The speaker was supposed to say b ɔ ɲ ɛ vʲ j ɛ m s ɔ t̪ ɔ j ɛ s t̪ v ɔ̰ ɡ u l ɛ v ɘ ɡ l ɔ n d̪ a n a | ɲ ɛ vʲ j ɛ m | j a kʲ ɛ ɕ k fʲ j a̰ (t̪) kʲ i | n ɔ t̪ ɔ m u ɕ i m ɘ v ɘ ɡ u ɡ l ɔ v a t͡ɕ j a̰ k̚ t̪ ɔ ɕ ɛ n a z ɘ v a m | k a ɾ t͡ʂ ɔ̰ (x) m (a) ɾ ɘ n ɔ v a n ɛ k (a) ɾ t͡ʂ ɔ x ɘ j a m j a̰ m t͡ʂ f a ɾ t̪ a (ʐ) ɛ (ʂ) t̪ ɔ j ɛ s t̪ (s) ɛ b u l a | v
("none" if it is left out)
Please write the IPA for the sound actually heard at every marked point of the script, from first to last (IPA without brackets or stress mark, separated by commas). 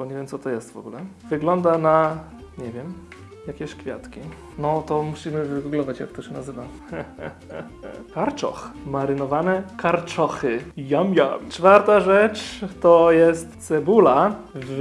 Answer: t̪, x, a, a, ʐ, t͡ʂ, s